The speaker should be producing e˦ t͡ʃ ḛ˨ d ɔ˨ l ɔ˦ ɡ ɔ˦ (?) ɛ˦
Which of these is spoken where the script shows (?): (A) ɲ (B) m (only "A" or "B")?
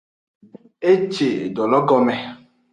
B